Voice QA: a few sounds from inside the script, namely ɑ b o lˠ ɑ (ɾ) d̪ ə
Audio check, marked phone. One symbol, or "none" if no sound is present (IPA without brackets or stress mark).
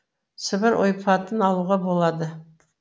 none